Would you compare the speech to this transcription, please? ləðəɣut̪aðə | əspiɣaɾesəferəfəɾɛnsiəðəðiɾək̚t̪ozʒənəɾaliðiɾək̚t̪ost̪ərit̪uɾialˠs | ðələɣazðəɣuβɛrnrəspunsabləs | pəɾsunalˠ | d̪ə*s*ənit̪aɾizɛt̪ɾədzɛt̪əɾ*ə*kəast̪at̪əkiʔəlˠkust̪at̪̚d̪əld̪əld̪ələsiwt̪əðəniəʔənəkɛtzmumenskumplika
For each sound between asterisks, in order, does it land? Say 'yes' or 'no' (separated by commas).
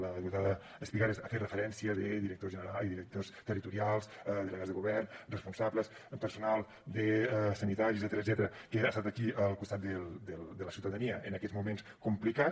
yes, yes